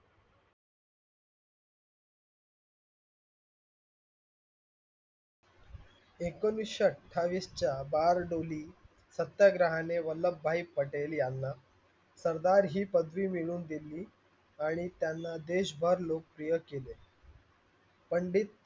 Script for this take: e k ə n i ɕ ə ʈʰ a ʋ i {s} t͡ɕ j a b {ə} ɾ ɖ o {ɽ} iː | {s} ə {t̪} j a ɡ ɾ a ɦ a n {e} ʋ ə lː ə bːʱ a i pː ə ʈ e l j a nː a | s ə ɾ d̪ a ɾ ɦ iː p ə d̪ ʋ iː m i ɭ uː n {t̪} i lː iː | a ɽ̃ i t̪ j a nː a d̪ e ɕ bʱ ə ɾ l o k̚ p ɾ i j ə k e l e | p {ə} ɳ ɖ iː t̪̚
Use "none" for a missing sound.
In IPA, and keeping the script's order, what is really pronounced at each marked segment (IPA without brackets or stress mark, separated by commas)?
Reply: s, a, l, s, t̪, e, d̪, ə